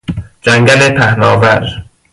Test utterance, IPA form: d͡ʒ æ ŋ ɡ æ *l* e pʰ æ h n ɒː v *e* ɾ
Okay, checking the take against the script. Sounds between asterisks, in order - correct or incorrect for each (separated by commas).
correct, incorrect